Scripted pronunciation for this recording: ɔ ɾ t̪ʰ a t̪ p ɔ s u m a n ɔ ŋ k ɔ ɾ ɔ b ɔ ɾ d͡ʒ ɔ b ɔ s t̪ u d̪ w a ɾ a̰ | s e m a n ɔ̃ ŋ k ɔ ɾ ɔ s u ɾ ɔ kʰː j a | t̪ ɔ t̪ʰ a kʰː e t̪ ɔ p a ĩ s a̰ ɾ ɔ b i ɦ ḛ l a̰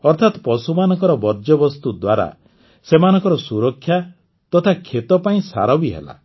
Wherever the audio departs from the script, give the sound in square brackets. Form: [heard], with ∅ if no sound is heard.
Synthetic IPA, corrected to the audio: ɔ ɾ t̪ʰ a t̪ p ɔ s u m a n ɔ ŋ k ɔ ɾ ɔ b ɔ ɾ d͡ʒ ɔ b ɔ s t̪ u d̪ w a ɾ a̰ | s e m a n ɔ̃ ŋ k ɔ ɾ ɔ s u ɾ ɔ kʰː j a | t̪ ɔ t̪ʰ a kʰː e t̪ ɔ p a ĩ s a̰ ɾ ɔ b i ɦ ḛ l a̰